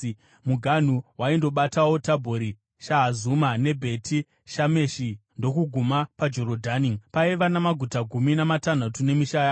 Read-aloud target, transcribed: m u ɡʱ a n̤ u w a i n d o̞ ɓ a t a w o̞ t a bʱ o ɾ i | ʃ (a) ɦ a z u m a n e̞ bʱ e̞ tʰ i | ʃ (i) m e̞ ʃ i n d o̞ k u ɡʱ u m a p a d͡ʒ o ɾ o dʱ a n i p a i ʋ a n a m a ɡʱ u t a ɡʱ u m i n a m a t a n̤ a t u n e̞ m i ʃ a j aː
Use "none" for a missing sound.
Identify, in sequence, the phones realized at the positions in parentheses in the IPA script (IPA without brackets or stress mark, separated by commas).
a, a